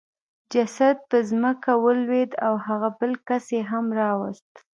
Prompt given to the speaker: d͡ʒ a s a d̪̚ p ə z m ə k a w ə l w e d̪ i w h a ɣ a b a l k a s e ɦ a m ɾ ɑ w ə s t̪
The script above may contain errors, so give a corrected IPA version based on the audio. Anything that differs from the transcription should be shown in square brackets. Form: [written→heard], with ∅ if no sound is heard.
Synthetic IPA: d͡ʒ a s a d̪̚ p ə z m ə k a w ə l w e d̪ [i→a] w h a ɣ a b [a→ə] l k a s e ɦ a m ɾ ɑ w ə s t̪